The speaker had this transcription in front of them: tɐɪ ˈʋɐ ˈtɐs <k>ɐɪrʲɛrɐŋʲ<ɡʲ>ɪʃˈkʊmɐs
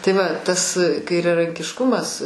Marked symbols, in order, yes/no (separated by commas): yes, no